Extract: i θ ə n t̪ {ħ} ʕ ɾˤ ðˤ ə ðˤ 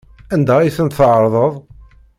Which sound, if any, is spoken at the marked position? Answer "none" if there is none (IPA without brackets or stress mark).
θ